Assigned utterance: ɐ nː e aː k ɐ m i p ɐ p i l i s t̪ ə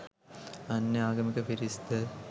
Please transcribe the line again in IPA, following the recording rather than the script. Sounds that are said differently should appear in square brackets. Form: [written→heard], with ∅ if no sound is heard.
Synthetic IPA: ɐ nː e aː [k→ɡ] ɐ m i [p→k] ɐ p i [l→ɾ] i s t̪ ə